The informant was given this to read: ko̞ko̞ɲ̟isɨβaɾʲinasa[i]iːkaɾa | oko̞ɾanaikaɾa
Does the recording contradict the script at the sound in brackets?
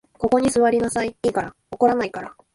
no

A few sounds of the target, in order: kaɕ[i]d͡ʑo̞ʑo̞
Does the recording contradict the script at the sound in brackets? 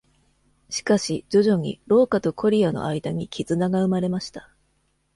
no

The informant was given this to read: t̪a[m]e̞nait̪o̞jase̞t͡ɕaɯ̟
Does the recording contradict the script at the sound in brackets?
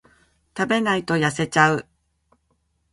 yes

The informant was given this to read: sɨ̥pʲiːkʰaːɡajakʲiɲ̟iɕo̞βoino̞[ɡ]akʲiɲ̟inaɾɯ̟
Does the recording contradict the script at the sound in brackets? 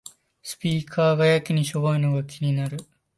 no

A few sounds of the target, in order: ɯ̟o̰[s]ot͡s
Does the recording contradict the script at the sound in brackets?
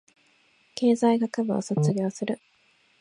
no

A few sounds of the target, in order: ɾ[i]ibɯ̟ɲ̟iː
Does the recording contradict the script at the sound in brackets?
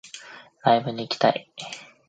yes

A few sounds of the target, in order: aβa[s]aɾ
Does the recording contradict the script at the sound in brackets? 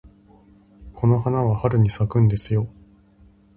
yes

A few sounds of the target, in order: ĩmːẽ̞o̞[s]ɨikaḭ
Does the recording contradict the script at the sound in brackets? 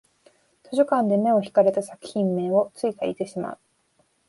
yes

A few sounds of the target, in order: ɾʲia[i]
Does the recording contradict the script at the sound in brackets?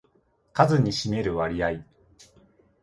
no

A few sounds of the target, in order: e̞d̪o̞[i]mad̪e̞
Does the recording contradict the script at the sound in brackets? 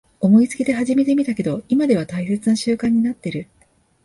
no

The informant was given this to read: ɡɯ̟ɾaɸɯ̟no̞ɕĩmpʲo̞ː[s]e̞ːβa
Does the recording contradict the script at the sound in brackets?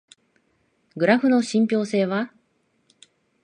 no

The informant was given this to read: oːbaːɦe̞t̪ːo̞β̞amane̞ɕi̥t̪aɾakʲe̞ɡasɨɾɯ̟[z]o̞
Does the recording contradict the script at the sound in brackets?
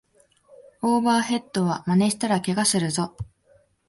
no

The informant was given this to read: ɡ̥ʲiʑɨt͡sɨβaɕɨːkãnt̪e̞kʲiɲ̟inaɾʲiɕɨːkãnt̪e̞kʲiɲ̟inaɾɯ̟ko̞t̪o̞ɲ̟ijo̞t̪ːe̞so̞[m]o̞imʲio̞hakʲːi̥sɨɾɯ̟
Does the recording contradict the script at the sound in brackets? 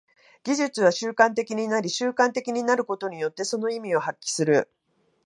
yes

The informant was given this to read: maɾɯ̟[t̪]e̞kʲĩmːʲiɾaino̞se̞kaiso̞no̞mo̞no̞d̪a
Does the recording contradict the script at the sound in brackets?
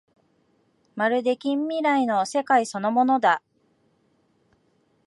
yes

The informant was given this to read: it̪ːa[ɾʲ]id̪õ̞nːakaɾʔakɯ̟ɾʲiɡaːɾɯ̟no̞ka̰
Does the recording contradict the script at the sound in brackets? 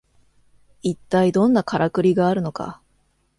yes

